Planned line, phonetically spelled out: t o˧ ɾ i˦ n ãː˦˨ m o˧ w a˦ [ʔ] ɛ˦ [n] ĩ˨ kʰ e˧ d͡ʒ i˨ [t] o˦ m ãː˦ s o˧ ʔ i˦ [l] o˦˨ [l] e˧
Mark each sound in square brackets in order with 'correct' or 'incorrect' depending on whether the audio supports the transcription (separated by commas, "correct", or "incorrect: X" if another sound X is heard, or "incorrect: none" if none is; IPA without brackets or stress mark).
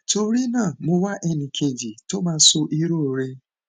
correct, correct, correct, incorrect: ɾ, incorrect: ɾ